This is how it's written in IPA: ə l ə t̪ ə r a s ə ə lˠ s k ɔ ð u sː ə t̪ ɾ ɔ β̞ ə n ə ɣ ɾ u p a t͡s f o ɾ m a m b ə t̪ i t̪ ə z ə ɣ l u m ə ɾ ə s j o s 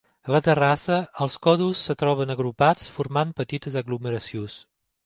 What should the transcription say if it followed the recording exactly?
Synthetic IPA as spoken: ə l ə t̪ ə r a s ə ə lˠ s k ɔ ð u sː ə t̪ ɾ ɔ β̞ ə n ə ɣ ɾ u p a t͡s f u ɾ m a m p ə t̪ i t̪ ə z ə ɣ l u m ə ɾ ə s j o s